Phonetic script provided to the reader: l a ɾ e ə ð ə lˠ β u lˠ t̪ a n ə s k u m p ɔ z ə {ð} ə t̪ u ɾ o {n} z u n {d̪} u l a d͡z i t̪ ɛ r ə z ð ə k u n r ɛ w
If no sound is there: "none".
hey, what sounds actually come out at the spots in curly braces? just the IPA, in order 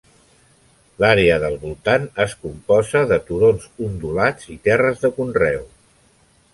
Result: ð, n, d̪

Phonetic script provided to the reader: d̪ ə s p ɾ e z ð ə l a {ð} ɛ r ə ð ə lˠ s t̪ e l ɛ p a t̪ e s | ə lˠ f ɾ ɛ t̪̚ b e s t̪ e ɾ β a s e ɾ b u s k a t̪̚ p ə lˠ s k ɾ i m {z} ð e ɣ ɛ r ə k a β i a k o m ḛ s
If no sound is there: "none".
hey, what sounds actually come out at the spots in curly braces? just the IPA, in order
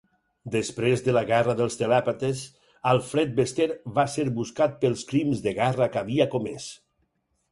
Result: ɣ, z

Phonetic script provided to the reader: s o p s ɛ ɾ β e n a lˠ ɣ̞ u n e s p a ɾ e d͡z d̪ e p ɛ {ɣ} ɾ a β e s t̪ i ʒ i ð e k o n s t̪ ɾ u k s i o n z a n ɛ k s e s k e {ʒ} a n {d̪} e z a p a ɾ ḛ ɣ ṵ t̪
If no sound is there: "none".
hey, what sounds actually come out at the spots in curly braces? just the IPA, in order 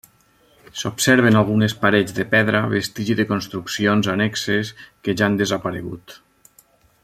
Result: ð, ʒ, d̪

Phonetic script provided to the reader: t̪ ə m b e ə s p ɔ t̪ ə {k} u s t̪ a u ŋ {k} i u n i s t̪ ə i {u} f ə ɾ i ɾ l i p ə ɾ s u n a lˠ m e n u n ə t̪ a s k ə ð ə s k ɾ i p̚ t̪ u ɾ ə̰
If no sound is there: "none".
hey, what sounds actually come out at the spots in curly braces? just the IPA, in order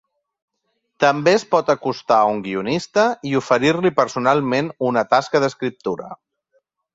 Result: k, ɡ, u

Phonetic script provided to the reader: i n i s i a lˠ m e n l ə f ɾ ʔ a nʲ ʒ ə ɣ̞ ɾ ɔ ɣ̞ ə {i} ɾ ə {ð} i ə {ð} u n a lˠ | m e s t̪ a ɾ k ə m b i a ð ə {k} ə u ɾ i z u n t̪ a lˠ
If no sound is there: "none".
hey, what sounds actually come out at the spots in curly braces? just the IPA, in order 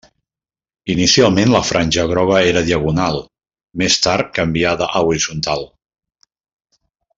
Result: e, ð, ɣ, ʔ

